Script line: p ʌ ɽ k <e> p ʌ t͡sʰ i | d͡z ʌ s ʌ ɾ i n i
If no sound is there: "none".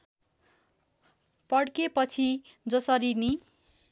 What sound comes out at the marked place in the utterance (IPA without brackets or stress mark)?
e